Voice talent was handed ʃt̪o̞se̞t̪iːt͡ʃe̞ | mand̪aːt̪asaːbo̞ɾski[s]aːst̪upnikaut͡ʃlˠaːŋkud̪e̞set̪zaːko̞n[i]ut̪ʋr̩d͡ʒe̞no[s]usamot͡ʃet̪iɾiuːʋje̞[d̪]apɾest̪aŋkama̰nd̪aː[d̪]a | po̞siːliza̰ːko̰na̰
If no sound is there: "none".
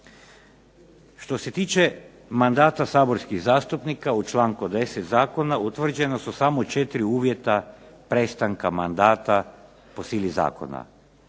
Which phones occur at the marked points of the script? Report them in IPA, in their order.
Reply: z, a, s, t̪, t̪

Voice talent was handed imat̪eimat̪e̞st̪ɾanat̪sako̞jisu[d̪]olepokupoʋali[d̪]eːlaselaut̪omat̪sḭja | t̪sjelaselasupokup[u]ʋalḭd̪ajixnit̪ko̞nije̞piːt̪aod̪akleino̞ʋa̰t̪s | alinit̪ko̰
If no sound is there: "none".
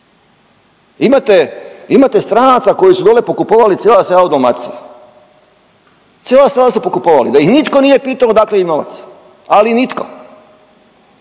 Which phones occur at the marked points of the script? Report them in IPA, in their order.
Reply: d̪, t̪, o

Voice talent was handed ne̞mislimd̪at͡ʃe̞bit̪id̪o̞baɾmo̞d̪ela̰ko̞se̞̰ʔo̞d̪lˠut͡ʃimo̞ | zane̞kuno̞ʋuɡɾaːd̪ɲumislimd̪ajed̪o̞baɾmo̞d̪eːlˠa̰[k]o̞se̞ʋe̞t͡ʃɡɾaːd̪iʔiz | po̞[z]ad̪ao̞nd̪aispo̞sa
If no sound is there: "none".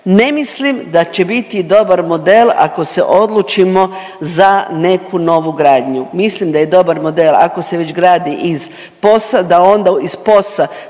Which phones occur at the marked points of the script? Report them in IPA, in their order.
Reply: k, s

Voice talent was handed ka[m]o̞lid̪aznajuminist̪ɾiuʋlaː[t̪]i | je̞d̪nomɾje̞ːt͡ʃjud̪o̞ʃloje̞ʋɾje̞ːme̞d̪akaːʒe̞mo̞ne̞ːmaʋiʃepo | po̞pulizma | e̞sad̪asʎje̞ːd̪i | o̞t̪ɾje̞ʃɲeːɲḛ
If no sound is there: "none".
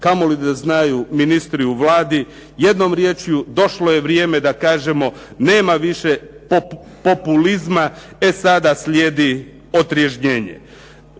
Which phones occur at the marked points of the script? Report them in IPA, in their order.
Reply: m, d̪

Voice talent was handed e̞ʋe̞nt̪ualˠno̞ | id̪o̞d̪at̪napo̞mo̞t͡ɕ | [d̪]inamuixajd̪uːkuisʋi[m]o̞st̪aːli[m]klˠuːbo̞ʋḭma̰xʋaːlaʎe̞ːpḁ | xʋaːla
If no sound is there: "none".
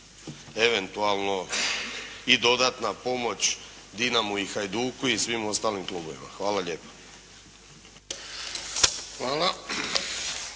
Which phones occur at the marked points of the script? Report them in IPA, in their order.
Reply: d̪, m, m

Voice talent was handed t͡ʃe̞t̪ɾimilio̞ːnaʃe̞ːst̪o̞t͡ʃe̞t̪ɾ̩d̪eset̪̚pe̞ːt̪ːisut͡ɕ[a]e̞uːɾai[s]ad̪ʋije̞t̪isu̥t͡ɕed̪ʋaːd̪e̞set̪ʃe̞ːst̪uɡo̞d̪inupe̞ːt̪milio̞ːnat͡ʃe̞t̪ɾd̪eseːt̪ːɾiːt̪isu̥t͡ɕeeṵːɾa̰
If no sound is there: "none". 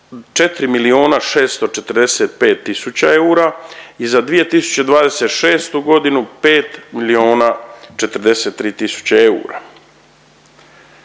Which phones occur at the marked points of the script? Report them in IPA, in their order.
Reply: a, z

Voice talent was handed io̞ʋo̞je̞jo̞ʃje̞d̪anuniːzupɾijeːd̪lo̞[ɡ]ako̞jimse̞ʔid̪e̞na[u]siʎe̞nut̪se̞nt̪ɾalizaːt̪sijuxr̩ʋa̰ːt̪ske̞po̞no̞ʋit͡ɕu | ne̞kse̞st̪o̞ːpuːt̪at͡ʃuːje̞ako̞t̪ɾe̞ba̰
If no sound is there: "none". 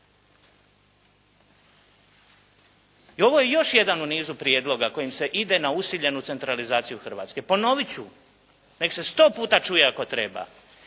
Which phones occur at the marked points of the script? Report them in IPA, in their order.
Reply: ɡ, u

